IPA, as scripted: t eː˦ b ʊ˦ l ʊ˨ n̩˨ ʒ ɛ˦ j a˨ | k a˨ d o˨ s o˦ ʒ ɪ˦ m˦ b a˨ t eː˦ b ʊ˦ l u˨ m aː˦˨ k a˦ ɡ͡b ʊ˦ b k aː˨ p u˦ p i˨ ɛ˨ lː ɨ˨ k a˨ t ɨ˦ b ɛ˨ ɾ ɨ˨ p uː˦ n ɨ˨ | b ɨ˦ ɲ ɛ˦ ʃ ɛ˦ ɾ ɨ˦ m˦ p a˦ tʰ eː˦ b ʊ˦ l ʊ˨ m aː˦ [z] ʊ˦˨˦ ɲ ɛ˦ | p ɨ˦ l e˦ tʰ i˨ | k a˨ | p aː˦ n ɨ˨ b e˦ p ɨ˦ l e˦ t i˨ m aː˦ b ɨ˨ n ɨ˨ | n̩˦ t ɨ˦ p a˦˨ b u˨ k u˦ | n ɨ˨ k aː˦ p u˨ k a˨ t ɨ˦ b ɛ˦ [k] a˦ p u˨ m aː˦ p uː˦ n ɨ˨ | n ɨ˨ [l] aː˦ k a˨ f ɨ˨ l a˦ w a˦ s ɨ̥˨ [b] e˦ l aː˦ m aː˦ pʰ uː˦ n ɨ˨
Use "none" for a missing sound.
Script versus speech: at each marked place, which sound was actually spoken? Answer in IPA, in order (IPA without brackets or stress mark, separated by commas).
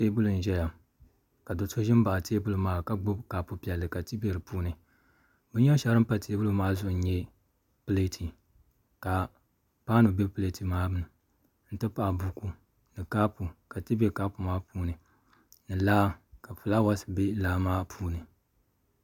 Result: z, k, l, b